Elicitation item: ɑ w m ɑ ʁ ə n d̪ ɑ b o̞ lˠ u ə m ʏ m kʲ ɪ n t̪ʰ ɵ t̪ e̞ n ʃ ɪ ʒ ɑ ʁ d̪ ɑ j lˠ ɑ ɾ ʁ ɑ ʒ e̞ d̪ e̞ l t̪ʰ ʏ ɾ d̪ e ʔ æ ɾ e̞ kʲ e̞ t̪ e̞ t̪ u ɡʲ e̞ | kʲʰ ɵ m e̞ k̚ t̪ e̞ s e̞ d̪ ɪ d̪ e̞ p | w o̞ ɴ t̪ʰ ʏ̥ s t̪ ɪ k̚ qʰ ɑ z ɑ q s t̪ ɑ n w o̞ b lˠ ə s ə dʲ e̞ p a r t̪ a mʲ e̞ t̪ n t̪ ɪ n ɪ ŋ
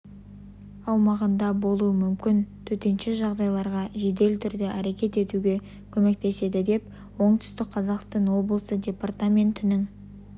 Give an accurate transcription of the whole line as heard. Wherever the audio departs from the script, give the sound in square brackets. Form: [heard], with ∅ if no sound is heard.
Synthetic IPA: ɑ w m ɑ ʁ ə n d̪ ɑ b o̞ lˠ u ə m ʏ m kʲ ɪ n t̪ʰ ɵ t̪ e̞ n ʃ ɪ ʒ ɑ ʁ d̪ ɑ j lˠ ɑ ɾ ʁ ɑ ʒ e̞ d̪ e̞ l t̪ʰ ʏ ɾ d̪ e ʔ æ ɾ e̞ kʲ e̞ t̪ e̞ t̪ u ɡʲ e̞ | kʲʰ ɵ m e̞ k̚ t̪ e̞ s e̞ d̪ ɪ d̪ e̞ p | w o̞ ɴ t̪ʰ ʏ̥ s t̪ ɪ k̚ qʰ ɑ z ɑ q s t̪ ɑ n w o̞ b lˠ ə s ə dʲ e̞ p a r t̪ a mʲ e̞ [∅] n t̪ ɪ n ɪ ŋ